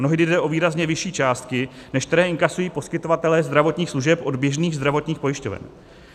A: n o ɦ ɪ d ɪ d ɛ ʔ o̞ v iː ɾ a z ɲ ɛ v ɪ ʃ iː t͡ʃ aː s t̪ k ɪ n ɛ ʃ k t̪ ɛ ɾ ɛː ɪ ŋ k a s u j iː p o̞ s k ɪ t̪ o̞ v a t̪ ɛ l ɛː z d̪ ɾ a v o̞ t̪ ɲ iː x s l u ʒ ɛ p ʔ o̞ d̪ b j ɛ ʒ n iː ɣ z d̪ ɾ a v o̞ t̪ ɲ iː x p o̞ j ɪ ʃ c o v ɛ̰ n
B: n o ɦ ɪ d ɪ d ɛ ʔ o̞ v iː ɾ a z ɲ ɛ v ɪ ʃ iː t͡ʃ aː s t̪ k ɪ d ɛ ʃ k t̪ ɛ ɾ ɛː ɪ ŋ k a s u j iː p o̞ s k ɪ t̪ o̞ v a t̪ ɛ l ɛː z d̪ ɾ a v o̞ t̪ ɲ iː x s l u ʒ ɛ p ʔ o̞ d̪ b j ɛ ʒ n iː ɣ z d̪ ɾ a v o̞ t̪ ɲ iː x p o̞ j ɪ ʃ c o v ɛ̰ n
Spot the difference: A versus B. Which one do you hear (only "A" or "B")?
A